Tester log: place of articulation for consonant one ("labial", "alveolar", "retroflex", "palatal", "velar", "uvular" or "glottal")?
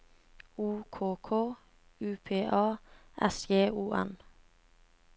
velar